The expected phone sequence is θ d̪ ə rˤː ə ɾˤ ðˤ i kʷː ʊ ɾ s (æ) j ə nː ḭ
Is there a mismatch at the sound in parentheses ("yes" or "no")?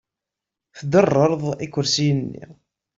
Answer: yes